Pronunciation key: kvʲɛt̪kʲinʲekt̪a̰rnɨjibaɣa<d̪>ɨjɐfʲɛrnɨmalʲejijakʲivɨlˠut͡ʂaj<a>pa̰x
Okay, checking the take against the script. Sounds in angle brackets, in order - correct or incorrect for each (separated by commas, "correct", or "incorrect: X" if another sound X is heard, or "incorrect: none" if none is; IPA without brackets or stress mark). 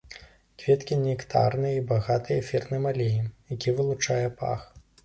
incorrect: t̪, incorrect: ɛ